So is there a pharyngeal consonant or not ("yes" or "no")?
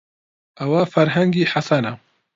yes